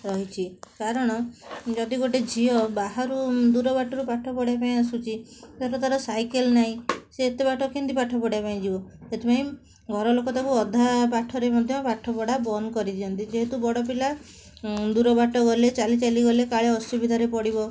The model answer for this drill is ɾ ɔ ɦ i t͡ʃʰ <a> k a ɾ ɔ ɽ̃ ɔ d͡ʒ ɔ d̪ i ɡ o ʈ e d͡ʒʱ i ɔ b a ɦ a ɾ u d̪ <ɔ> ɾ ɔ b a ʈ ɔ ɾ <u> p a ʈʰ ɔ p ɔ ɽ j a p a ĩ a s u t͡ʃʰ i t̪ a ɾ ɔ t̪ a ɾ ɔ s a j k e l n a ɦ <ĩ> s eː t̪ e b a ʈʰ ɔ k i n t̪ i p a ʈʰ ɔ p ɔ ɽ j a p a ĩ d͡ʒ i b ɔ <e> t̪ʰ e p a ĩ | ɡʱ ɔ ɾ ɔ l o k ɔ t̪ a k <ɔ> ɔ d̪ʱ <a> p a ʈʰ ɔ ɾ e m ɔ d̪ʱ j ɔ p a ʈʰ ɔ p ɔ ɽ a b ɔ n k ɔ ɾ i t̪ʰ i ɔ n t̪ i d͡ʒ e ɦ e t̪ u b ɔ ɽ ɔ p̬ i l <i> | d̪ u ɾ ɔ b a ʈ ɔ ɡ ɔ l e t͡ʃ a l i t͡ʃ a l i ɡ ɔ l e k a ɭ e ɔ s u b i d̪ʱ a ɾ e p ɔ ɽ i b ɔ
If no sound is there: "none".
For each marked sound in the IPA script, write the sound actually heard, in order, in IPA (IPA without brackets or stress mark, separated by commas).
i, u, u, ĩ, e, u, a, a